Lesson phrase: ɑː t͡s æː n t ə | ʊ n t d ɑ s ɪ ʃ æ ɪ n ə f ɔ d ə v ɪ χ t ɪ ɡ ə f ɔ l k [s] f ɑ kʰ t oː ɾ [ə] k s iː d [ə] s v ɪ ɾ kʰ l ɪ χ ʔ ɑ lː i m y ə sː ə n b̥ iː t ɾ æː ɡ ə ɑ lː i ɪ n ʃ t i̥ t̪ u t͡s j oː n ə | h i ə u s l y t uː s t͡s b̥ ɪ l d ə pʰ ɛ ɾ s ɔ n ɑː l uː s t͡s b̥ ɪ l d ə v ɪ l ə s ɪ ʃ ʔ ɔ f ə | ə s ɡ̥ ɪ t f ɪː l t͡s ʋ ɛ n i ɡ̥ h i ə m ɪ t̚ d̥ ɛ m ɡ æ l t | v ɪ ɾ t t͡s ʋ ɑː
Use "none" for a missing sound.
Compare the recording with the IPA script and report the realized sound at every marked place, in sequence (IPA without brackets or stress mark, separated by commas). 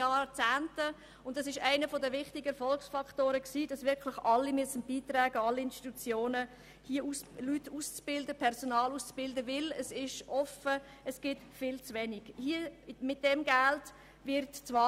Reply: s, ə, ɑ